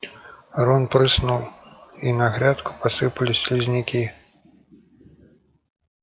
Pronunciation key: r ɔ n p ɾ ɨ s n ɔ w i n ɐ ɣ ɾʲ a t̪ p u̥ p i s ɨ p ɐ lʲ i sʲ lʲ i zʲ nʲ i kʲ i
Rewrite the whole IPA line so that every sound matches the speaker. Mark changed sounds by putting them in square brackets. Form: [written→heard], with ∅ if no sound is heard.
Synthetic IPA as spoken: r ɔ n p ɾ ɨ s n [ɔ→u] w i n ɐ ɣ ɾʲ a t̪ [p→k] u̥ p [i→a] s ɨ p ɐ lʲ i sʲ lʲ i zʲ nʲ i kʲ i